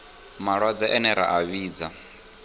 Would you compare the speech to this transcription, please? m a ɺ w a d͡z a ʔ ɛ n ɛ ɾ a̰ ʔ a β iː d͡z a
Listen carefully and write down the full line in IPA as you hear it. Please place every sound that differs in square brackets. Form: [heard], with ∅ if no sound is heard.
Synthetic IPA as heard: m a ɺ w a d͡z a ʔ ɛ n ɛ ɾ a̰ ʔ a β iː d͡z a

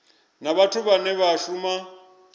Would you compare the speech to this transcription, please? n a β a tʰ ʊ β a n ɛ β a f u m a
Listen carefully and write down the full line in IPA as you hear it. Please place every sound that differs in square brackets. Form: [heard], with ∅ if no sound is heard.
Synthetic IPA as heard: n a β a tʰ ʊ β a n ɛ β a [ʃ] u m a

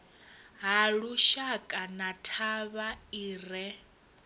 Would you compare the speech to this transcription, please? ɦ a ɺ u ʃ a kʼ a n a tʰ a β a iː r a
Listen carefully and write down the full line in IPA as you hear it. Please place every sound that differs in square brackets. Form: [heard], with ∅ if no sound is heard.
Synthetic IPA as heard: ɦ a ɺ u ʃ a kʼ a n a tʰ a β a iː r [ɛ]

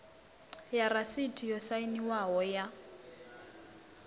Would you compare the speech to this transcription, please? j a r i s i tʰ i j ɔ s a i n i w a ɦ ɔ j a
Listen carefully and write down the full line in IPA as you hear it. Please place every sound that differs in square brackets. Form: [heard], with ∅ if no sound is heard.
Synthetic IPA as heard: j a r [a] s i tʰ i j ɔ s a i n i w a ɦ ɔ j a

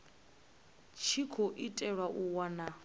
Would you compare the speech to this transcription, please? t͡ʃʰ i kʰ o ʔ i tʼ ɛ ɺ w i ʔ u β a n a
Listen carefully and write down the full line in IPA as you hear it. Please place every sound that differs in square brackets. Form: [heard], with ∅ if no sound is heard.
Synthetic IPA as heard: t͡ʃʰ i kʰ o ʔ i tʼ ɛ ɺ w [a] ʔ u [w] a n a

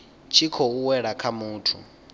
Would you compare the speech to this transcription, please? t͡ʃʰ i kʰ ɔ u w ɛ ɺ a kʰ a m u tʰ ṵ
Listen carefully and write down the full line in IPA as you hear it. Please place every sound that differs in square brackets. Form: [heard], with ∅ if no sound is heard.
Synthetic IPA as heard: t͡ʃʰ i kʰ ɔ u w ɛ ɺ a kʰ a m [uː] tʰ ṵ

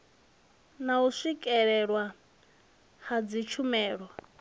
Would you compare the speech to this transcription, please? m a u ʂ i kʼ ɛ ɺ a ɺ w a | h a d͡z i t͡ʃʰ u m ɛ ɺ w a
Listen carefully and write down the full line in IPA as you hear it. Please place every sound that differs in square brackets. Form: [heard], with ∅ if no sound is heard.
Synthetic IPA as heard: [n] a u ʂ i kʼ ɛ ɺ [ɛ] ɺ w a | h a d͡z i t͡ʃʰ u m [ɛː] ɺ w a

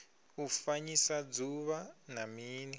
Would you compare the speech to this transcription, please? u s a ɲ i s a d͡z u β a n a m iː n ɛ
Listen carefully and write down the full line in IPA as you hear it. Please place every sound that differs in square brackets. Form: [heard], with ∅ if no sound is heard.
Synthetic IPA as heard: u [f] a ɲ i s a d͡z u β a n a m iː n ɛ

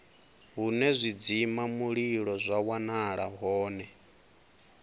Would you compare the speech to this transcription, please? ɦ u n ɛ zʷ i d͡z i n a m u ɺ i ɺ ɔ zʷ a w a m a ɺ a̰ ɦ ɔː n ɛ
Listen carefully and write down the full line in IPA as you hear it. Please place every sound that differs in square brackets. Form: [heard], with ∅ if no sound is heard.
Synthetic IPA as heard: ɦ u n ɛ zʷ i d͡z i [m] a m u ɺ i ɺ ɔ zʷ a w a [n] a ɺ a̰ ɦ ɔː n ɛ

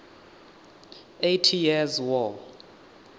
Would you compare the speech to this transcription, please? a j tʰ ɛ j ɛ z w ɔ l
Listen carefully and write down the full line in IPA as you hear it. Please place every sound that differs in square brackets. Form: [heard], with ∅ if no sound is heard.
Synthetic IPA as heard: [e] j tʰ [i] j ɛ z w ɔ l

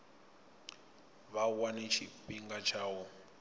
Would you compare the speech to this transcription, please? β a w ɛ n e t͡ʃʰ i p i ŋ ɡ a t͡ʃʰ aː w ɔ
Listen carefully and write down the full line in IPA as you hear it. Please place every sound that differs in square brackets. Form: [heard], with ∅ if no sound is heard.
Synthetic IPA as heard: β a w [a] n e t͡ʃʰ i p i ŋ ɡ a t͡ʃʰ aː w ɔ

